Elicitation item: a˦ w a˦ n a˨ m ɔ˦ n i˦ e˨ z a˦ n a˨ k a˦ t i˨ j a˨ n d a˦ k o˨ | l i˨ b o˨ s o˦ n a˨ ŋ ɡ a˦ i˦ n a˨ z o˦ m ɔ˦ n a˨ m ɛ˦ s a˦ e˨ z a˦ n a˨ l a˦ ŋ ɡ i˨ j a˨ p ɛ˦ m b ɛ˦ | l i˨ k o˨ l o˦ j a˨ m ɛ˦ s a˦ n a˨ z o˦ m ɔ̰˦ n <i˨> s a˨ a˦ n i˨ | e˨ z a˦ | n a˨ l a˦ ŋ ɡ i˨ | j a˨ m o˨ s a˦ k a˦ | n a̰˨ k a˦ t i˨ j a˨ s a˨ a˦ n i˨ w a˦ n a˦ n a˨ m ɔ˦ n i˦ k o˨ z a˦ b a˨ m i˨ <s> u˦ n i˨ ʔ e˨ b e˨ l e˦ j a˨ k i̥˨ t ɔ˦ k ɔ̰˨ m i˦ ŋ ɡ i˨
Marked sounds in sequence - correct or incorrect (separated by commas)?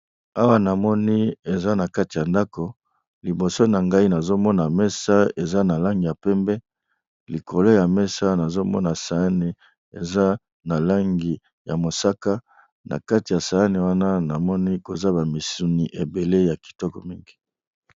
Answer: incorrect, correct